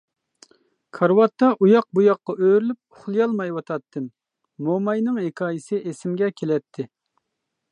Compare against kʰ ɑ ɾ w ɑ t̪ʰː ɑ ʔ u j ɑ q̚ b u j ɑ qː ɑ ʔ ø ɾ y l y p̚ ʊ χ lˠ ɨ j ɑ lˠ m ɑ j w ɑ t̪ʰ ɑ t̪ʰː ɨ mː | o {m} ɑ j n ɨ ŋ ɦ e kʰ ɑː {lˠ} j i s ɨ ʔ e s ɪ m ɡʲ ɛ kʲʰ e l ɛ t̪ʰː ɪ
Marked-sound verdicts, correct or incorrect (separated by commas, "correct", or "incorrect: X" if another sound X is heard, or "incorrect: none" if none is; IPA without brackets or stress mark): correct, incorrect: none